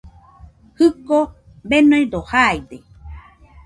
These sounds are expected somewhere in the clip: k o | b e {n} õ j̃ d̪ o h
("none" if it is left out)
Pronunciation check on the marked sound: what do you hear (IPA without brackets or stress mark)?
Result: n